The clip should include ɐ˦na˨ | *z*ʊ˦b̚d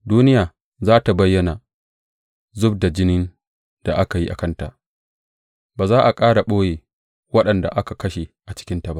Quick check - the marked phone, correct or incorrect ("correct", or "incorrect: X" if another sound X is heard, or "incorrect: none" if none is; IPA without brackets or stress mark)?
correct